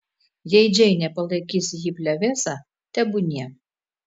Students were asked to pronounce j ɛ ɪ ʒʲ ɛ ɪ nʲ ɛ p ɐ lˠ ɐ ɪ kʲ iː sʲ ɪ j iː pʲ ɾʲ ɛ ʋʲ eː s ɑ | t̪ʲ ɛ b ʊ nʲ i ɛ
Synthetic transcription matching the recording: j ɛ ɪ d͡ʒʲ ɛ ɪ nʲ ɛ p ɐ lˠ ɐ ɪ kʲ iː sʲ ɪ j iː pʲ lʲ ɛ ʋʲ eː s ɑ | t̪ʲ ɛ b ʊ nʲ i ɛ